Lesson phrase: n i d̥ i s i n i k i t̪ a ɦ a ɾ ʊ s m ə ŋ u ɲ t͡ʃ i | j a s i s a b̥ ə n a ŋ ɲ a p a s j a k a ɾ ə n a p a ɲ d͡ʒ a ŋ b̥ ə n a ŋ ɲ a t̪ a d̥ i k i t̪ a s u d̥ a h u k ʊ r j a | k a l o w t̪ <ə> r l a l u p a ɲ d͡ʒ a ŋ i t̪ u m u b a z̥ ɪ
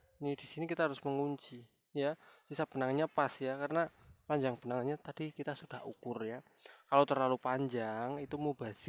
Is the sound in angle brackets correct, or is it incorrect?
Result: correct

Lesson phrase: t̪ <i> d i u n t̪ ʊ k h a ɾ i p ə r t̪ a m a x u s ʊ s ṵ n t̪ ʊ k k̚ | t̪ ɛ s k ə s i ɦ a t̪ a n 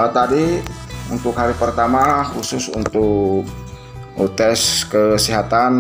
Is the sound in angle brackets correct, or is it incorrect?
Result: incorrect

